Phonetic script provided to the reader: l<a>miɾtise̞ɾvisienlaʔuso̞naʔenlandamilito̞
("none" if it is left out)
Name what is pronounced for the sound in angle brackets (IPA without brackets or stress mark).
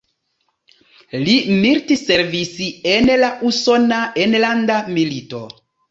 i